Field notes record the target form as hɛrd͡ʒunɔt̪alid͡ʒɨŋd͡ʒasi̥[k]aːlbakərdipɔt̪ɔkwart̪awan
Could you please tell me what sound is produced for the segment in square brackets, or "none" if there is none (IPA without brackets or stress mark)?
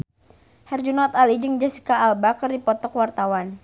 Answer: k